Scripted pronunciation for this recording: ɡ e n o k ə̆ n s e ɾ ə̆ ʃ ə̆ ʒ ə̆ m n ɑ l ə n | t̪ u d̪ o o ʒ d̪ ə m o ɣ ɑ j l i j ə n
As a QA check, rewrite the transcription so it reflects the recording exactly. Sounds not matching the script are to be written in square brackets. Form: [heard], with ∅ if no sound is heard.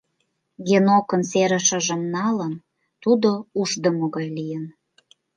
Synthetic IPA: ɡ e n o k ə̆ n s e ɾ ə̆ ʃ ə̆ ʒ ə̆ m n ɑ l ə n | t̪ u d̪ o [u] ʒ d̪ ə m o ɣ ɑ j l i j ə n